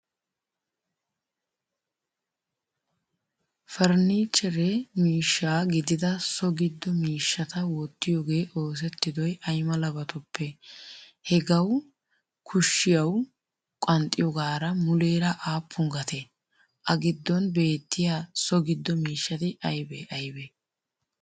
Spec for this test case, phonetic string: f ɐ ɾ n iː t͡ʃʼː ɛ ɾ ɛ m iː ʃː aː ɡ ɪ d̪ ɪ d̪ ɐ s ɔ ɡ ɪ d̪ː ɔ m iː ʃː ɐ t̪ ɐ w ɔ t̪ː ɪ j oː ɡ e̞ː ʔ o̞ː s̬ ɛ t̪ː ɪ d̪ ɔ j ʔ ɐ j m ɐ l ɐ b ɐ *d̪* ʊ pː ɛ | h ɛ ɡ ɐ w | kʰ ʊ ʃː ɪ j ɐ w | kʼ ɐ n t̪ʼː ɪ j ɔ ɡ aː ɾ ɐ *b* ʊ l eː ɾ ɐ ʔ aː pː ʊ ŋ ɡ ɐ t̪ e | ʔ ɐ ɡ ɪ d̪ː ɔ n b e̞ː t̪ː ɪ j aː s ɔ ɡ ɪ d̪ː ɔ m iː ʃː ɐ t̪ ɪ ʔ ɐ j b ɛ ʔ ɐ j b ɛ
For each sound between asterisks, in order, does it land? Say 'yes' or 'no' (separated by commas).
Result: no, no